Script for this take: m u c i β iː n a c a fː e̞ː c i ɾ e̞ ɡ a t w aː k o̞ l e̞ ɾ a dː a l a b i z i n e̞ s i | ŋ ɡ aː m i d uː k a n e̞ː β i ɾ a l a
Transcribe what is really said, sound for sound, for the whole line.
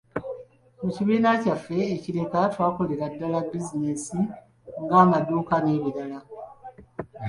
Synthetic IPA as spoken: m u c i β iː n a c a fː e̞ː c i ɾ e̞ k a t w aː k o̞ l e̞ ɾ a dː a l a b i z i n e̞ s i | ŋ ɡ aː m a d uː k a n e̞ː β i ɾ a l a